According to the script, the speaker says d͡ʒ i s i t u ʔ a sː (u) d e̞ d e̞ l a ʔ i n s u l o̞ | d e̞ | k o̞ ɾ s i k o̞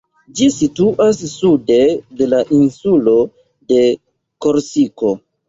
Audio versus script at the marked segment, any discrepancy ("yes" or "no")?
no